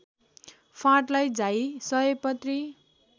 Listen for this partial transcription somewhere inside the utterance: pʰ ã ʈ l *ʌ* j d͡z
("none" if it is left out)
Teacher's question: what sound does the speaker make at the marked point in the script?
a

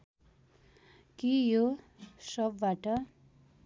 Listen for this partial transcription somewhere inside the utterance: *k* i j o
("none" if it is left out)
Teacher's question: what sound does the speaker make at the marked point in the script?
k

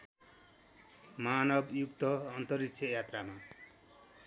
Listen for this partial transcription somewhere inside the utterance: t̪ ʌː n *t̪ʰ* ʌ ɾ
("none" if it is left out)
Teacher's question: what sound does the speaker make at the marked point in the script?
t̪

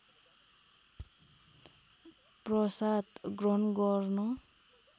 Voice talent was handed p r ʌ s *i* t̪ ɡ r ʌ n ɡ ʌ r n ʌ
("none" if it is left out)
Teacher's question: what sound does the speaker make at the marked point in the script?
a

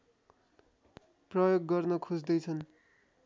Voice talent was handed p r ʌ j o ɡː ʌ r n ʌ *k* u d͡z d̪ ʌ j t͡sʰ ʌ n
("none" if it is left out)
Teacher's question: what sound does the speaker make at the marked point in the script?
kʰ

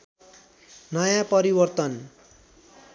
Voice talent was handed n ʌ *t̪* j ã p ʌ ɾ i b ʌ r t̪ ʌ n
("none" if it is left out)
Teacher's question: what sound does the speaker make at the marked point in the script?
none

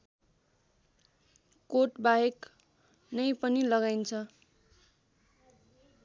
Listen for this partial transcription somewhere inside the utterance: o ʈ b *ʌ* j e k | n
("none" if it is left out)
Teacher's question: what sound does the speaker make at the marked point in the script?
a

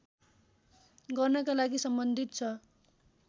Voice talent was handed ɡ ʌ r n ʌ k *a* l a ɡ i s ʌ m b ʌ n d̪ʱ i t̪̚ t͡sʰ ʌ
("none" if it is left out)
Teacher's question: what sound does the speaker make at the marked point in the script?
a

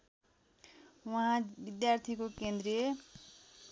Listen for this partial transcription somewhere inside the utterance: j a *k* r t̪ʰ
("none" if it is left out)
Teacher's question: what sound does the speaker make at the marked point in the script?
none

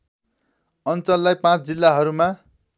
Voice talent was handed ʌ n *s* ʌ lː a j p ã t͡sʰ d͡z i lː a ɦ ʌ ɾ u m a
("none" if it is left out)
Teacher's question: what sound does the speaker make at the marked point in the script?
t͡s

